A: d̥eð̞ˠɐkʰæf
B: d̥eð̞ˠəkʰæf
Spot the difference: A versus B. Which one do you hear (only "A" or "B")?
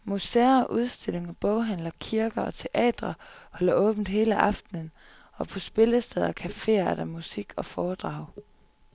A